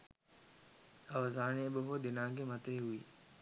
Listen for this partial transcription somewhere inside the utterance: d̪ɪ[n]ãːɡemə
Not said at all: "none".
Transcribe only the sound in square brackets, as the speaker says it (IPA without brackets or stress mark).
n